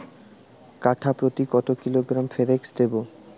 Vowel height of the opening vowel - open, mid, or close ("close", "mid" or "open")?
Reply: open